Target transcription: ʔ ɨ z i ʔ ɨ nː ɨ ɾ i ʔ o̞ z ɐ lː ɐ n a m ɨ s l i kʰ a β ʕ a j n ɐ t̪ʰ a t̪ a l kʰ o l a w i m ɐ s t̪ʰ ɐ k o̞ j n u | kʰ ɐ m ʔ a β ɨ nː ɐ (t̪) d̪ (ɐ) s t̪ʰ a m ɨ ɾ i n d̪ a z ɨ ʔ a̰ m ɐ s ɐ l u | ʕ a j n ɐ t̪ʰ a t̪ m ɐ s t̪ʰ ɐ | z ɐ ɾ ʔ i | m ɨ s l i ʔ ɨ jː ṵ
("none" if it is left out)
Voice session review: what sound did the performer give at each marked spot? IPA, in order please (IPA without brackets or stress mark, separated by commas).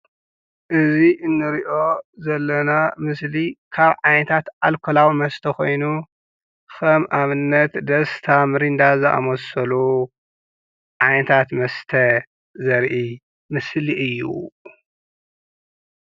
t̪, ɐ